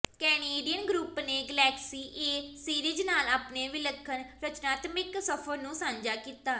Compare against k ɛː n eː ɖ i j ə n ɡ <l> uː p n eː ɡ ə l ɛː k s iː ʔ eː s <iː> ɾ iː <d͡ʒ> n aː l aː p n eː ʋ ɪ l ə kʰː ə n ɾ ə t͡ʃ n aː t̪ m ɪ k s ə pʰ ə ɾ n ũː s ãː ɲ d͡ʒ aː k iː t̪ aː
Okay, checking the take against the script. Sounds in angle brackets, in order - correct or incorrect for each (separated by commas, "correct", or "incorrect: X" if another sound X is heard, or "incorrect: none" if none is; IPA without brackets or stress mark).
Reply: incorrect: ɾ, correct, correct